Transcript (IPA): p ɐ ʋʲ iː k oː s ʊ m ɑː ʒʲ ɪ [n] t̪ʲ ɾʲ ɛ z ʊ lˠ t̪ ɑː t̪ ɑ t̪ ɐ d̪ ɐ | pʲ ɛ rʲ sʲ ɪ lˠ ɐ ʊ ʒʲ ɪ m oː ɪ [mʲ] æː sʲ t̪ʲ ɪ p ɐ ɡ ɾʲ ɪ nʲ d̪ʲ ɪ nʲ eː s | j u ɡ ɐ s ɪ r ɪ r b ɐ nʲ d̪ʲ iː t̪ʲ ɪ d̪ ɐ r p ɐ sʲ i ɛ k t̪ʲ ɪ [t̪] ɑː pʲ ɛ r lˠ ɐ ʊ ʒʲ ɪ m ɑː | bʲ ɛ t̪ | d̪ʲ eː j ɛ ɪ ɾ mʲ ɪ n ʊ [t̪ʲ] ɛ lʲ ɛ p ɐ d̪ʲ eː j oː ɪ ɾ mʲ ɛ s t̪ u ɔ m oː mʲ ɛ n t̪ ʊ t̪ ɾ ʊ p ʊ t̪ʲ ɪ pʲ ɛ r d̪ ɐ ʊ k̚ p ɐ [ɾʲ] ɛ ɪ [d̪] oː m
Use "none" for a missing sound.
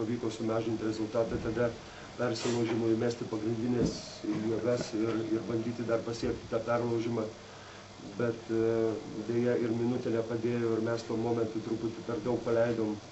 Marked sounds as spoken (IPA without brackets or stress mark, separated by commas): n, mʲ, t̪, t̪ʲ, lʲ, d̪